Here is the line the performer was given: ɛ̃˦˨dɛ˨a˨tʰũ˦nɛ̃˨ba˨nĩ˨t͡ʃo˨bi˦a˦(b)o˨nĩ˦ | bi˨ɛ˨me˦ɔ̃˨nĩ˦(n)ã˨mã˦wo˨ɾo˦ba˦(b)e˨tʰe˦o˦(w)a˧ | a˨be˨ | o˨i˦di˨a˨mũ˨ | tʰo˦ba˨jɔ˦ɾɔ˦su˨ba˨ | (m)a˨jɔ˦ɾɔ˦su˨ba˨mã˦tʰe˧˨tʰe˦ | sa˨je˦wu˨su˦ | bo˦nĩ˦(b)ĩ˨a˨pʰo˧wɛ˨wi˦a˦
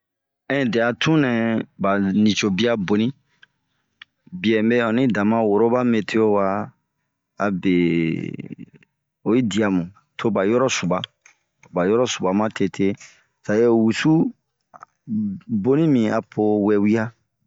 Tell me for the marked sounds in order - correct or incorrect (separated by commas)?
correct, incorrect, incorrect, correct, incorrect, incorrect